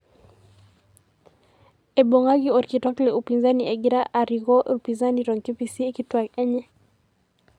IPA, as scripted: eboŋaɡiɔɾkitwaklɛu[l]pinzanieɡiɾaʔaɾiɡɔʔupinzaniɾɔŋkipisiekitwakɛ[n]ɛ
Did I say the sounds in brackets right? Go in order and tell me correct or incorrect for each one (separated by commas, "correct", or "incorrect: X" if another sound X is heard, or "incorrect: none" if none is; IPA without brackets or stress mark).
incorrect: none, incorrect: ɲ